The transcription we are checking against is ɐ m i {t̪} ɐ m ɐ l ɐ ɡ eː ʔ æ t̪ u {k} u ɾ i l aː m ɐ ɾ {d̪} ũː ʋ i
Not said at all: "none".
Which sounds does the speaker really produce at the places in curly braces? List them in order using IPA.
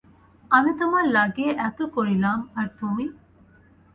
t̪, k, t̪

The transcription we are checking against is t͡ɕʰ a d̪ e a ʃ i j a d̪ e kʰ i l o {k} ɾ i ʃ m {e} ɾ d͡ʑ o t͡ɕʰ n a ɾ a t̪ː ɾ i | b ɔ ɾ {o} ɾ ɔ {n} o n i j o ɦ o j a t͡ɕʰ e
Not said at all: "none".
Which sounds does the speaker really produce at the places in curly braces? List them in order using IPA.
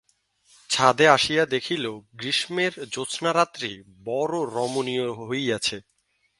ɡ, e, o, m

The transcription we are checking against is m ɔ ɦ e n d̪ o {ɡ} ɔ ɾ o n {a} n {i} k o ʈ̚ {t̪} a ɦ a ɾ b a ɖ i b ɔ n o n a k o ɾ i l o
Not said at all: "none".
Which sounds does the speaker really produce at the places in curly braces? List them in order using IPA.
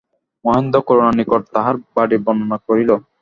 k, a, i, t̪

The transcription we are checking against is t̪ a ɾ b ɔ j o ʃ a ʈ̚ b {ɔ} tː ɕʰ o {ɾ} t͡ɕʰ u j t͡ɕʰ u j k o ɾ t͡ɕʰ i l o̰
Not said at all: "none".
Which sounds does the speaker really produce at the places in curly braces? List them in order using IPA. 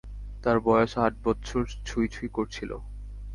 ɔ, ɾ

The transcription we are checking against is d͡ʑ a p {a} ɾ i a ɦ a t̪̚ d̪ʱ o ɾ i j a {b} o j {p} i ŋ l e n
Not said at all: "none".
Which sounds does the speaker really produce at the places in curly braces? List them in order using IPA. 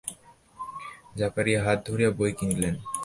a, b, k

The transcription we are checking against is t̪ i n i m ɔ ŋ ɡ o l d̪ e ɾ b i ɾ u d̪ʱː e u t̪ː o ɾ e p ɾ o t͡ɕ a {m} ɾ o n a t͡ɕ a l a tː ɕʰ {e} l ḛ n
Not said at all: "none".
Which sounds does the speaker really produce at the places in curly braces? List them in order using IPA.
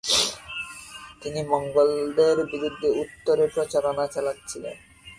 none, i

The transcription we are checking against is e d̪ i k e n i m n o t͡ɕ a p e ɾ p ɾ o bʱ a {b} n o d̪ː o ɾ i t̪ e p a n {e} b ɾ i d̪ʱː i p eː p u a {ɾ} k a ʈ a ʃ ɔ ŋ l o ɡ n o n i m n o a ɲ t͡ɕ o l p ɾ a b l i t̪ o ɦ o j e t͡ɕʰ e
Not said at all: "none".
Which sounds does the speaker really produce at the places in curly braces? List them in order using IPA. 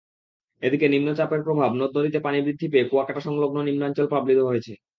b, i, none

